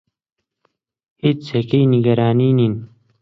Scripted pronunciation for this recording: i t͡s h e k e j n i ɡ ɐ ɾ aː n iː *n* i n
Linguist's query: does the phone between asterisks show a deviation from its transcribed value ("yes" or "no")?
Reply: no